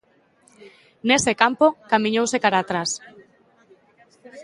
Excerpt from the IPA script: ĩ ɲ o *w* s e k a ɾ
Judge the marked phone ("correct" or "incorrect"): correct